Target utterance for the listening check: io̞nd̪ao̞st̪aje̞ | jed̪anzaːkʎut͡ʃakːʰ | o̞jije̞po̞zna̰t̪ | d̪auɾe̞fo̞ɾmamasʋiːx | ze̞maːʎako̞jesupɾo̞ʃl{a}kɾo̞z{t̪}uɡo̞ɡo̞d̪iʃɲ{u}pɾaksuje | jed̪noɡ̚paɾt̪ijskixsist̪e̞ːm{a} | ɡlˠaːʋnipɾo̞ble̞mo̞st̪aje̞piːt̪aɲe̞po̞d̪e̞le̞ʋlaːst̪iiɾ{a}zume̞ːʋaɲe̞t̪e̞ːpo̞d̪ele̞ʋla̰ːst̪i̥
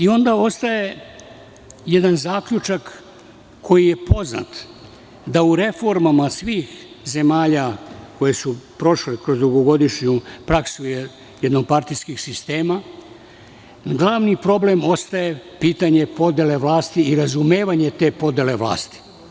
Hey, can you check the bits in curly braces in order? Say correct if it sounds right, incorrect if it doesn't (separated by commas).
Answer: incorrect, incorrect, correct, correct, correct